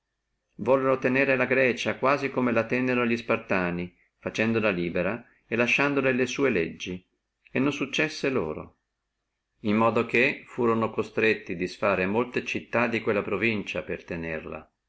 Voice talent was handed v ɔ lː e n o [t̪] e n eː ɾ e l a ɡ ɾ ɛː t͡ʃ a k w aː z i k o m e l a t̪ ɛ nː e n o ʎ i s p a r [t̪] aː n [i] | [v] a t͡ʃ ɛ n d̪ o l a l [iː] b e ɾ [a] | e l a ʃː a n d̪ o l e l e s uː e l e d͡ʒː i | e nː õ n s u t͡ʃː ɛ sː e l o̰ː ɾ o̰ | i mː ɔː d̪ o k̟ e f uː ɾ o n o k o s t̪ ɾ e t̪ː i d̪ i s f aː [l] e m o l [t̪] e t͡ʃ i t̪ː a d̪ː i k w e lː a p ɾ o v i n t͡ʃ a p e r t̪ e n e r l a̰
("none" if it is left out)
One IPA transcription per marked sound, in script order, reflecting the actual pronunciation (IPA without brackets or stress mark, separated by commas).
t̪, t̪, i, f, iː, a, ɾ, t̪